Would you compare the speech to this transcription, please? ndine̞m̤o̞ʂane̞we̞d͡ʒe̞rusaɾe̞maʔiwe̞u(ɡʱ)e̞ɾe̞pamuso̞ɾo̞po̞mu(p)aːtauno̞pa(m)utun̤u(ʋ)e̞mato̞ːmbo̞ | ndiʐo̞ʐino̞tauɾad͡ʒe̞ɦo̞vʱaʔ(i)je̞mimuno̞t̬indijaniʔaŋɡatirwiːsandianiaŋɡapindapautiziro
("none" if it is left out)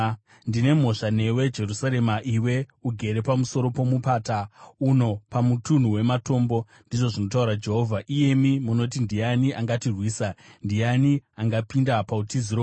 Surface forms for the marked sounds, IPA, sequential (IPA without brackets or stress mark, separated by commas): ɡʱ, p, m, w, i